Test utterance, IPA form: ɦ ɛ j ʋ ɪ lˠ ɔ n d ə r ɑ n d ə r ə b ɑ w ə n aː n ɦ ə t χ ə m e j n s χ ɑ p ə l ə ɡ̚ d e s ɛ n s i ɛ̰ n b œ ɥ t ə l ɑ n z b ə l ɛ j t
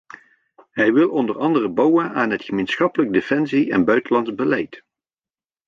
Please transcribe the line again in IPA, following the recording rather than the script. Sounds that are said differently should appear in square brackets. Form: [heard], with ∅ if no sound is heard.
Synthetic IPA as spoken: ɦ ɛ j ʋ ɪ lˠ ɔ n d ə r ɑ n d ə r ə b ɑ w ə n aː n ɦ ə t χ ə m e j n s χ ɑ p ə l ə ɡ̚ d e [f] ɛ n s i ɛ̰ n b œ ɥ t ə l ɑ n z b ə l ɛ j t